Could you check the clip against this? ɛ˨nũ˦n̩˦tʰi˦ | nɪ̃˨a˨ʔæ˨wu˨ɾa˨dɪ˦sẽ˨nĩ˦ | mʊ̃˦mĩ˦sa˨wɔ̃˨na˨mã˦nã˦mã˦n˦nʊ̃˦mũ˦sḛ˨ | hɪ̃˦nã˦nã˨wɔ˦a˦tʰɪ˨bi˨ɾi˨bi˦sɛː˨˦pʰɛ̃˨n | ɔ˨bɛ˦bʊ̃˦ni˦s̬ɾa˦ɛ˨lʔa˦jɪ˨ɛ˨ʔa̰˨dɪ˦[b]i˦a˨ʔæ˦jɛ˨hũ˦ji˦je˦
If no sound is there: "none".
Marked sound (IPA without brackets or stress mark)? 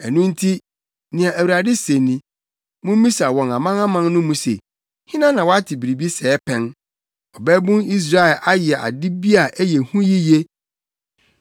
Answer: b